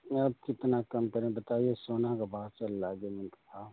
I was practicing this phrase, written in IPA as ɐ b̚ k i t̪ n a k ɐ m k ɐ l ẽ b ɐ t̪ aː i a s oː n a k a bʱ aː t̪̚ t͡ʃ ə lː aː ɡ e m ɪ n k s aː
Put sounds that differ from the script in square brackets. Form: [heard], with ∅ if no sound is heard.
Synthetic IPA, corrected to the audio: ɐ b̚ k [ɪ] t̪ n a k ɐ m k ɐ [ɾ] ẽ b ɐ t̪ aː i [e] s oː n a k a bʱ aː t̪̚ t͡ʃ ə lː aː ɡ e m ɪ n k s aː